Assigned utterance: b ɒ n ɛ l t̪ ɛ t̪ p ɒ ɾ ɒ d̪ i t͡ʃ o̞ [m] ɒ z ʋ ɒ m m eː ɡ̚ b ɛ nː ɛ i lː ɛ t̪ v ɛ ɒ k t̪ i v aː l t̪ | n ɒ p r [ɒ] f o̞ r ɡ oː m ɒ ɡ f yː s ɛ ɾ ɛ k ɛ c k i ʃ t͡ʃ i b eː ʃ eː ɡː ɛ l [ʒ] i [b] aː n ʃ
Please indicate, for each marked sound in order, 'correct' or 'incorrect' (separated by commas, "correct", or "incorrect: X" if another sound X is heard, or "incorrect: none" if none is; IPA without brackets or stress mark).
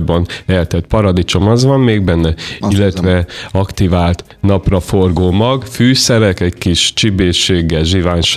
correct, correct, correct, incorrect: v